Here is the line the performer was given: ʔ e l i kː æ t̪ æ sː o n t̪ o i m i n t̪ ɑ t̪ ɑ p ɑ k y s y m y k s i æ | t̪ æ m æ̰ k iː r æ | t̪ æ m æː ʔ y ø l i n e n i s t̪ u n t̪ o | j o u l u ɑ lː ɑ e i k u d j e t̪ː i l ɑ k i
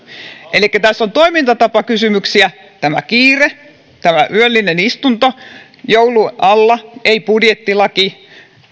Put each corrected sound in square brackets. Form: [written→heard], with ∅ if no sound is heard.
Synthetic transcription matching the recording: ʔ e l i kː æ t̪ æ sː o n t̪ o i m i n t̪ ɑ t̪ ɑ p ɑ k y s y m y k s i æ | t̪ æ m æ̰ k iː r [æ→e] | t̪ æ m [æː→æ] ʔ y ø [l→lː] i n e n i s t̪ u n t̪ o | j o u l u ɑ lː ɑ e i [k→p] u d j e t̪ː i l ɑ k i